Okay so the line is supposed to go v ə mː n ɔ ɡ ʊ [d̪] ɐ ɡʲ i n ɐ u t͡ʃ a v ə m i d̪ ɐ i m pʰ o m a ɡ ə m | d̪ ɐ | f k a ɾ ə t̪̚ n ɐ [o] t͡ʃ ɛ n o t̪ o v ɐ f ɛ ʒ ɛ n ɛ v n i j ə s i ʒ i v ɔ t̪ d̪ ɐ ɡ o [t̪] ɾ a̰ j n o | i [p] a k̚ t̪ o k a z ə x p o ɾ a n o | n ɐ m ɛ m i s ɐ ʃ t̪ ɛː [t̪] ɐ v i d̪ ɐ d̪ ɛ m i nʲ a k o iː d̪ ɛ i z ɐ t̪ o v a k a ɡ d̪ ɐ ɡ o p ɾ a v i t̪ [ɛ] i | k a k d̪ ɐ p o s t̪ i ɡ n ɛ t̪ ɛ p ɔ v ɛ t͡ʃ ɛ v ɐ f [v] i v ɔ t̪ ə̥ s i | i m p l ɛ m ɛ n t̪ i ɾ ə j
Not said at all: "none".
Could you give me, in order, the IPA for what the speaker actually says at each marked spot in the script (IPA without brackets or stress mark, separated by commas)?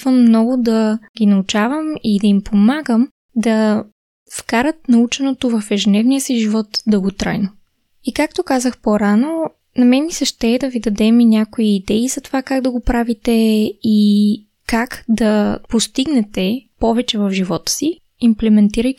d̪, u, t̪, k, d̪, ɛ, ʒ